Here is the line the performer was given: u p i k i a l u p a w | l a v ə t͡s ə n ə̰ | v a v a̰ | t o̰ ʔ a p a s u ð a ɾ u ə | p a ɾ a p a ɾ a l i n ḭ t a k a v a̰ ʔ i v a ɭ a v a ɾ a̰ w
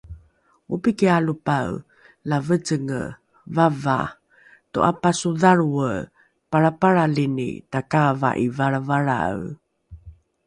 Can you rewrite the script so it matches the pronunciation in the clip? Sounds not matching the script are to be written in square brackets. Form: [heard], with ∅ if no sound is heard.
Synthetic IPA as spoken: u p i k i a l u p a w | l a v ə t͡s ə [ŋ] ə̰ | v a v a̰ | t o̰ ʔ a p a s u ð a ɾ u ə | p a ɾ a p a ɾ a l i n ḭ t a k a v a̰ ʔ i v a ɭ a v a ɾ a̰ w